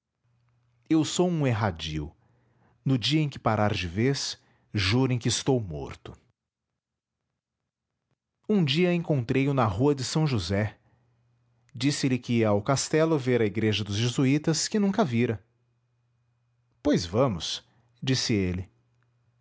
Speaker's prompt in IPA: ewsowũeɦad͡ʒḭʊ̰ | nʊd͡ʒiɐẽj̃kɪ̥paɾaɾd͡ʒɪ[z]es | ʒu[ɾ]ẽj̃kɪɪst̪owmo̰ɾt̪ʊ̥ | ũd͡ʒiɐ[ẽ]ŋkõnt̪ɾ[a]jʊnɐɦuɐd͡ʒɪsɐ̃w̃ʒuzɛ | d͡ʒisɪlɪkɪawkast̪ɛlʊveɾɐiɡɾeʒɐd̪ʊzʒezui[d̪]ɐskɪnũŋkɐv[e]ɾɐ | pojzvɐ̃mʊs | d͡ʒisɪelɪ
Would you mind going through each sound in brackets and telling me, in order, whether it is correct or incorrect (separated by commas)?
incorrect, correct, correct, incorrect, incorrect, incorrect